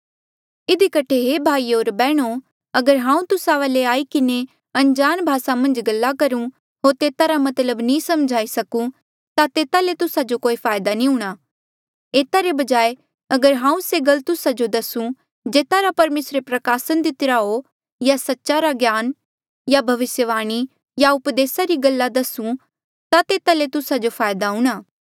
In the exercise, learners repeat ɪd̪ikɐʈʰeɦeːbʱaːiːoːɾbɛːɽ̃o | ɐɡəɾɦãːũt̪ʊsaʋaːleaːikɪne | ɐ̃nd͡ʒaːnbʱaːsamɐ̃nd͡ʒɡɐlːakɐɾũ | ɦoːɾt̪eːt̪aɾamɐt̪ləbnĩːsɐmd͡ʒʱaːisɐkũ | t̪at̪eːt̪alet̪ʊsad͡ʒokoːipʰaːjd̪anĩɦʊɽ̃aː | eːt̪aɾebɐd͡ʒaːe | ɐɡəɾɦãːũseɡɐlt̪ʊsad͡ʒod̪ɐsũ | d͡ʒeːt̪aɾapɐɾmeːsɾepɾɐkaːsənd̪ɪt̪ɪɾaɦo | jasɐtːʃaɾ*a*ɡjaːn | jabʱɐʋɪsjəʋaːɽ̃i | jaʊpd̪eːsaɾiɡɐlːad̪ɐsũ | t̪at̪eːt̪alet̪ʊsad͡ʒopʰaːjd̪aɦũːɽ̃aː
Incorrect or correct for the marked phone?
correct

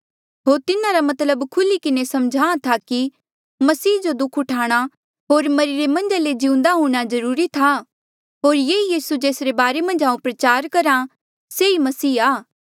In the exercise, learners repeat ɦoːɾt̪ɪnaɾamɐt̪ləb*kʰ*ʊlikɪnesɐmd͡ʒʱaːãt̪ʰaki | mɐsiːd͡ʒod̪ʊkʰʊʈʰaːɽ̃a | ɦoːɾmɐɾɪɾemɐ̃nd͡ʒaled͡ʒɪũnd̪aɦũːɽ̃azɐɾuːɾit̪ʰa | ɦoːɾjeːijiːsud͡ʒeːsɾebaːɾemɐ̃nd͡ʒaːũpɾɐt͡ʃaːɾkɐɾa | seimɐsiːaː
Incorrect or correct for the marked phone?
correct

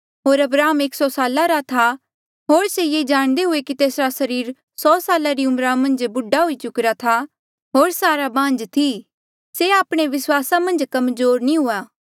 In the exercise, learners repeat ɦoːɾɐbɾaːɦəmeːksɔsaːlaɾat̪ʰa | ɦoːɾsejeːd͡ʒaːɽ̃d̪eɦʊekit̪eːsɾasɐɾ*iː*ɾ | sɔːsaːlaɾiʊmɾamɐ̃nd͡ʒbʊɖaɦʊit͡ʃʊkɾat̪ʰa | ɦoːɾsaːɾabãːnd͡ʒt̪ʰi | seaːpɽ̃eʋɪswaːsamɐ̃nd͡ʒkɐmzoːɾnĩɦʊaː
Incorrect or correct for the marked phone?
correct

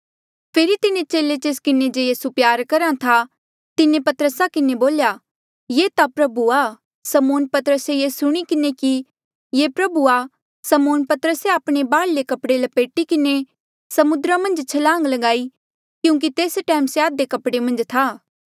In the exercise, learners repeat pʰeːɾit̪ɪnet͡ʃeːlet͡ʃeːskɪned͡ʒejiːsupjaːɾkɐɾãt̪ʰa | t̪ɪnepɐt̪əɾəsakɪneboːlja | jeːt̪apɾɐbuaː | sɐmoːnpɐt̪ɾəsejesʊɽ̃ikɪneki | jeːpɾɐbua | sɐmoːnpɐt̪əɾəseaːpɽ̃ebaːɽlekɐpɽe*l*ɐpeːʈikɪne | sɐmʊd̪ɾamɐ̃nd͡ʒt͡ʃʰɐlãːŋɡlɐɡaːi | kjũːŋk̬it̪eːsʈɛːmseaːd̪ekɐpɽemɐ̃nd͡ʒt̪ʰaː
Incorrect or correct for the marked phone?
correct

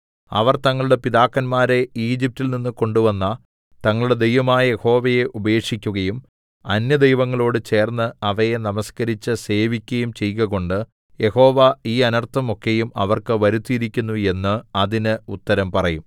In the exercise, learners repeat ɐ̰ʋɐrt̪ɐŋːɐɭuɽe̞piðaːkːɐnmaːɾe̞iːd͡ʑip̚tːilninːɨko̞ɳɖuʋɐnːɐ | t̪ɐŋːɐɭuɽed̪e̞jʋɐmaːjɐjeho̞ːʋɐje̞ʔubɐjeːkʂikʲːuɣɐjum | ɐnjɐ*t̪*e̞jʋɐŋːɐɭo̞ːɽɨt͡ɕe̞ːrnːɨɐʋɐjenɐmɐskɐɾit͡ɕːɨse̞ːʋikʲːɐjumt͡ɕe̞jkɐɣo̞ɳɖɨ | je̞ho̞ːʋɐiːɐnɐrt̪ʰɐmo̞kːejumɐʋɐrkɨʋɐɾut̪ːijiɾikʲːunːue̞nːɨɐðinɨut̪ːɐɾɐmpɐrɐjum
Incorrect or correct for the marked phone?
incorrect: d̪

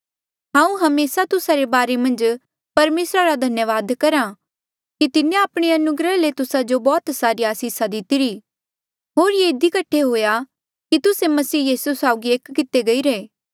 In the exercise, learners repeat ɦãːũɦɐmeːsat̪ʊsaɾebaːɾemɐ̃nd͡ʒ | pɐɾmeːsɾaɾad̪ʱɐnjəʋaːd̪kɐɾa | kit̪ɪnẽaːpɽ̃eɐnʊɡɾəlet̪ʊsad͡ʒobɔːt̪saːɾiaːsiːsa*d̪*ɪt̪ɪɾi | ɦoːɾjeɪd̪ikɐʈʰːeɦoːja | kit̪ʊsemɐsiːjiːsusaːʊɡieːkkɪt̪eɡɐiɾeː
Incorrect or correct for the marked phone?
correct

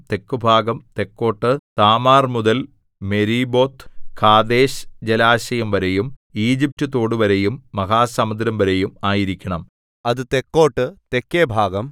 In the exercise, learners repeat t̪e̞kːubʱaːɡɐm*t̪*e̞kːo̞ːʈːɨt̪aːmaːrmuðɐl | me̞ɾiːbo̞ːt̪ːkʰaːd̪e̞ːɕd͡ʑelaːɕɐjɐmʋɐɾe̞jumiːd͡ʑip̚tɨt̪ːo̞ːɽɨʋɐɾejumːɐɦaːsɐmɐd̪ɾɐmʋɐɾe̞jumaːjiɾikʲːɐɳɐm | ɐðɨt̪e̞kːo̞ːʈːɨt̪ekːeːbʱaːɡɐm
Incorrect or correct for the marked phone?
correct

